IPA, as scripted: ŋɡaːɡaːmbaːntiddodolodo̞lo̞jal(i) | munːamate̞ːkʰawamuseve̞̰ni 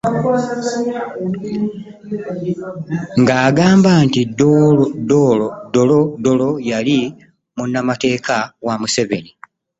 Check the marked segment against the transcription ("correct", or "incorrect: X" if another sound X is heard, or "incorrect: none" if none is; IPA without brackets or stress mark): correct